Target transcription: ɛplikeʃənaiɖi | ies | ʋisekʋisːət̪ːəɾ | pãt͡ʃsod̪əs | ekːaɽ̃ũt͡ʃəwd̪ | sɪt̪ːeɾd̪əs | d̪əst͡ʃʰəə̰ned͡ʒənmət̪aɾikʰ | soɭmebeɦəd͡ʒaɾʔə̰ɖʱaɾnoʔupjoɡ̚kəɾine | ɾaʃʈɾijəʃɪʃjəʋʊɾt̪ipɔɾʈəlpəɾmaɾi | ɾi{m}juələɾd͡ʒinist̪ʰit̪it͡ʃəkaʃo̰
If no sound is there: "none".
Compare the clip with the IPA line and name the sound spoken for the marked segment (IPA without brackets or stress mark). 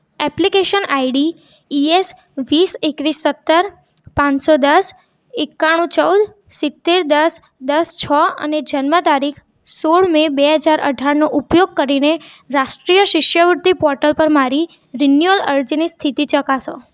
n